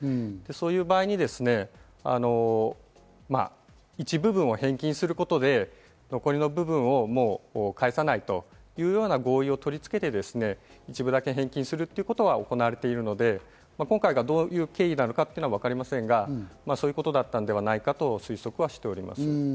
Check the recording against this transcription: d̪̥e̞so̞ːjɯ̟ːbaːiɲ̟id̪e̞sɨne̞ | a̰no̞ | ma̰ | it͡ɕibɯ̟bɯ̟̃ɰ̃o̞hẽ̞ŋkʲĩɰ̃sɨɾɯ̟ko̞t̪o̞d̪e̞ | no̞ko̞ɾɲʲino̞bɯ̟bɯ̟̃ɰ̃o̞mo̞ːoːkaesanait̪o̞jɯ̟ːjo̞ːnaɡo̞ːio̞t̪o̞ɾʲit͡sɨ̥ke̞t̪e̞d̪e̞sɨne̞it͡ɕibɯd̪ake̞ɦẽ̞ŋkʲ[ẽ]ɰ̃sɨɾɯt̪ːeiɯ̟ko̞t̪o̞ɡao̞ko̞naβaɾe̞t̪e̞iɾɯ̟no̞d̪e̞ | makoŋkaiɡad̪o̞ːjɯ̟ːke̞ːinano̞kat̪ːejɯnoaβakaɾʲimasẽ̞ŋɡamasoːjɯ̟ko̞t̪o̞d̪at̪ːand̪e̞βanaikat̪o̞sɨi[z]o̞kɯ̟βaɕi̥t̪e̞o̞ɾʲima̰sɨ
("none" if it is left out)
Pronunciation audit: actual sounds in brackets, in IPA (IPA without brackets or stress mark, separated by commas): ĩ, s